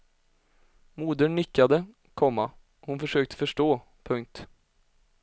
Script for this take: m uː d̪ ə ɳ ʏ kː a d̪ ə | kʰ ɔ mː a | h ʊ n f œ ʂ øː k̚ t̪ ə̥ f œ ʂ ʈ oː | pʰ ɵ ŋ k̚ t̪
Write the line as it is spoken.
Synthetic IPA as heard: m uː d̪ ə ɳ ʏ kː a d̪ ə | kʰ ɔ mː a | h ʊ n f œ ʂ øː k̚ t̪ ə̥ f œ ʂ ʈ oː | pʰ ɵ ŋ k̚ t̪